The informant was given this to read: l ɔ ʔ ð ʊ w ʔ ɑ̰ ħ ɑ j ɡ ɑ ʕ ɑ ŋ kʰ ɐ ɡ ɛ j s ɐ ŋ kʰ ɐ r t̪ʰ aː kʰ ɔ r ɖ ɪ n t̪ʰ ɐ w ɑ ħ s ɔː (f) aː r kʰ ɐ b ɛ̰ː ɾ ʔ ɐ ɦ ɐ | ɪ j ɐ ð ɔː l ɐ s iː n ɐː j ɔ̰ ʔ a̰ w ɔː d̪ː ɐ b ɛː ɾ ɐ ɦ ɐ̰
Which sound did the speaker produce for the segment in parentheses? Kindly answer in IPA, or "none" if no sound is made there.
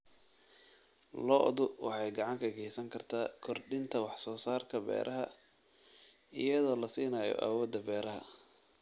s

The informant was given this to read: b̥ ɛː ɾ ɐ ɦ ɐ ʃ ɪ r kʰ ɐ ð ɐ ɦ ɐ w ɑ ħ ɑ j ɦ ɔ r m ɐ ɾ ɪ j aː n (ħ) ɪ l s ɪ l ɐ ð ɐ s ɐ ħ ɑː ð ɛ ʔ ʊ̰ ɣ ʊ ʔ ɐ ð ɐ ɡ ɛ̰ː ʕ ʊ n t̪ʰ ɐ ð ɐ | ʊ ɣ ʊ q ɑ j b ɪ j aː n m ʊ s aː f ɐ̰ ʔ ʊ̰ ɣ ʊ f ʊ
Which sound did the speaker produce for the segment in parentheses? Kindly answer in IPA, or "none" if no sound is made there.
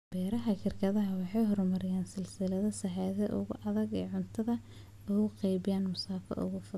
s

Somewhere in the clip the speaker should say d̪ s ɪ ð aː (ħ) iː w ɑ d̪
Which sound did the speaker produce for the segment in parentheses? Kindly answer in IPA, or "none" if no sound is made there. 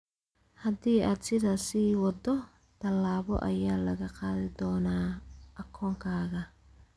s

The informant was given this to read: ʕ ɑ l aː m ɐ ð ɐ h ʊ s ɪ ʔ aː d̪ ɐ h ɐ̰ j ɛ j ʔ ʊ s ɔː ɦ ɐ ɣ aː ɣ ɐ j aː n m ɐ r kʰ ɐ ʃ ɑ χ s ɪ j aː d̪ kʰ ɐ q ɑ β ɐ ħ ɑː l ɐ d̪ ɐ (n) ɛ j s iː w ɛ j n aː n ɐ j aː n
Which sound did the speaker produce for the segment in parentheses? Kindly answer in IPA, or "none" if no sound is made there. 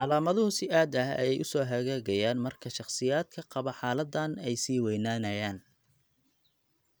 n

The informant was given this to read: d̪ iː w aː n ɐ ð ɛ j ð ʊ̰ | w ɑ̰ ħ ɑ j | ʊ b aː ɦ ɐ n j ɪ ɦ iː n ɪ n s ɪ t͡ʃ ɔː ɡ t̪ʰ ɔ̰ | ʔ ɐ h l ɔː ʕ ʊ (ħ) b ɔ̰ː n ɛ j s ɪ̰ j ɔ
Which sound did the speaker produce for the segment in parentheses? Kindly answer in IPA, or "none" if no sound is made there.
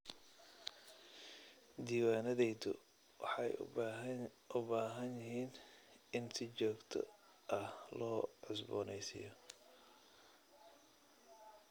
s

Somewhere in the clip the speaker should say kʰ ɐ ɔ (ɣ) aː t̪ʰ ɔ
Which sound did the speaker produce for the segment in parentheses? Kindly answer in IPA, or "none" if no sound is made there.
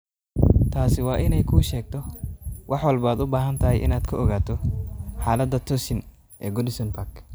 ɣ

